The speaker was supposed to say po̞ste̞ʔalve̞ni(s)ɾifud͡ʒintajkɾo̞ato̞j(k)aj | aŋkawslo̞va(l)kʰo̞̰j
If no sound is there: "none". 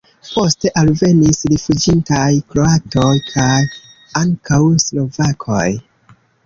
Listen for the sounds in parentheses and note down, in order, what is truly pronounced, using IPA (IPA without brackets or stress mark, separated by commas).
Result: s, kʰ, none